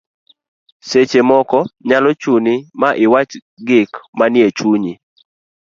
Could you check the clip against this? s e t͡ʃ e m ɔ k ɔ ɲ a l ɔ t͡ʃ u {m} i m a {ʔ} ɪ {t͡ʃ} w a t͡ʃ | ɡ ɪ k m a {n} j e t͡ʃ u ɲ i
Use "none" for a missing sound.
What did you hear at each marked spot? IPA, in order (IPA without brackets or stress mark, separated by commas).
n, ʔ, none, n